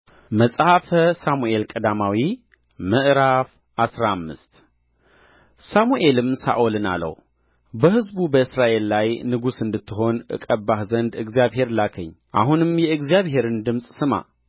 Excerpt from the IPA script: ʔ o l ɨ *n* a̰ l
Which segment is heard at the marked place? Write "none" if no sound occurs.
n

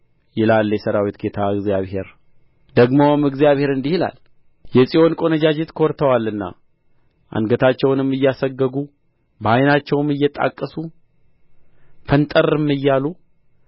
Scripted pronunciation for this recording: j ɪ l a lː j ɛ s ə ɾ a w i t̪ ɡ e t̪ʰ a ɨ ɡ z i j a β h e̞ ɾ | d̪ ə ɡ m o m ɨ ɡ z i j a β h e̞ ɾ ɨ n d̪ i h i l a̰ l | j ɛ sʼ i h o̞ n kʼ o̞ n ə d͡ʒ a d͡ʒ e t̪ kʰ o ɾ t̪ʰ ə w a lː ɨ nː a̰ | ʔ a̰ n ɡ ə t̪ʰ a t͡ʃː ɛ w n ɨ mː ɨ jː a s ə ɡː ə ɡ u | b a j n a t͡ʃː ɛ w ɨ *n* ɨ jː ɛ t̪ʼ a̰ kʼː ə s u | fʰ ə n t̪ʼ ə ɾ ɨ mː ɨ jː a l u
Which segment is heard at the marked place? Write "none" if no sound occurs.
m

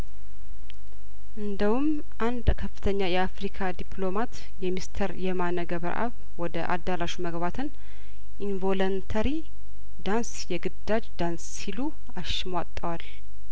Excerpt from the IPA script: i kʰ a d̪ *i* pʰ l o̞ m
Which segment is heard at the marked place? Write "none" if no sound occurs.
i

